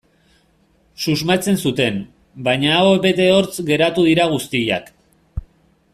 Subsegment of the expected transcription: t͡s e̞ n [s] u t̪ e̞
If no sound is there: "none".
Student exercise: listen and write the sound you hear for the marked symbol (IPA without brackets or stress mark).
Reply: s